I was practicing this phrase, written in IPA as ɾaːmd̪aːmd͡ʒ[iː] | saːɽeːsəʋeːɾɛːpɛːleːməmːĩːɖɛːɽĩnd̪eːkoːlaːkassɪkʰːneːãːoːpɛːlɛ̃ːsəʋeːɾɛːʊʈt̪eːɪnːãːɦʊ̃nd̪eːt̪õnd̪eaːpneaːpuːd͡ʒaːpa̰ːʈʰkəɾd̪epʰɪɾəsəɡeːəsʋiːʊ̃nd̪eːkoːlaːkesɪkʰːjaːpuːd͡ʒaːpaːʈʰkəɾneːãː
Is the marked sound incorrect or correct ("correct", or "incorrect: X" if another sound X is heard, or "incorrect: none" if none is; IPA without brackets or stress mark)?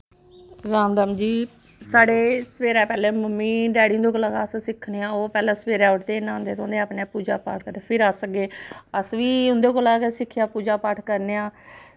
correct